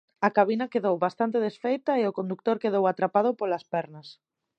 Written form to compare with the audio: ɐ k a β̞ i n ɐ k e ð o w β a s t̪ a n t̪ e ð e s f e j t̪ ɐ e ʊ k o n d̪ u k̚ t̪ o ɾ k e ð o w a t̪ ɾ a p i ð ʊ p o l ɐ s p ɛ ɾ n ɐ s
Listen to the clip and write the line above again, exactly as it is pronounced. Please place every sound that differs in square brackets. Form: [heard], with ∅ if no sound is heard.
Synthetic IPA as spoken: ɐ k a β̞ i n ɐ k e ð o w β a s t̪ a n t̪ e ð e s f e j t̪ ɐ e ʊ k o n d̪ u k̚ t̪ o ɾ k e ð o w a t̪ ɾ a p [a] ð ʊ p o l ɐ s p ɛ ɾ n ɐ s